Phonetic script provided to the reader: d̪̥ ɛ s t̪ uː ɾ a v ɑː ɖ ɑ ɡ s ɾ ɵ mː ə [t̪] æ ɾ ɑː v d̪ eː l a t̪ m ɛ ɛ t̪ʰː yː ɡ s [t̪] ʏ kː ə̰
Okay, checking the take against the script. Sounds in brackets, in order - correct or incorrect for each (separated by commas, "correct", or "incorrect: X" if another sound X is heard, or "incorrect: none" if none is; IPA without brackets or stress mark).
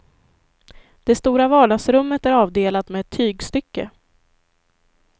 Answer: correct, correct